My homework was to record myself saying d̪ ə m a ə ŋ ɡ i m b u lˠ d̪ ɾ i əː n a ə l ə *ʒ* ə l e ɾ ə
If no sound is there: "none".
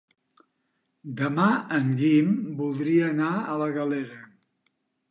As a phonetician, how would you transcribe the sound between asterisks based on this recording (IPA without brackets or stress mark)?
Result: ɣ